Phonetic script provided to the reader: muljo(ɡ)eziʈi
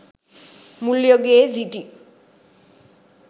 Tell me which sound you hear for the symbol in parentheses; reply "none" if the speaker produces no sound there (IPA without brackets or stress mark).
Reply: ɡ